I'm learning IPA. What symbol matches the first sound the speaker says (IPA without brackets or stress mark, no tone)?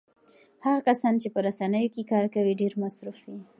h